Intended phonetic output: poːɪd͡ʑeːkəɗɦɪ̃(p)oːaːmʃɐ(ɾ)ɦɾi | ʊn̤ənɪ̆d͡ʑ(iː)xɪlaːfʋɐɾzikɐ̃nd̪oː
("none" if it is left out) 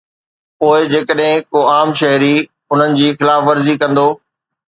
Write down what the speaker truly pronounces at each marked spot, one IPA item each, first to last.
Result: k, none, iː

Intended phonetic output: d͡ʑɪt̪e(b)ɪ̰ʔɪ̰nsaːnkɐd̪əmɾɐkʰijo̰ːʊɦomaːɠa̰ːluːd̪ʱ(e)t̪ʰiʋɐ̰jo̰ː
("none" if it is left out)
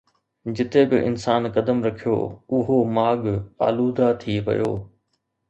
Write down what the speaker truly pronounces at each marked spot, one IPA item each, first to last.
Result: b, a

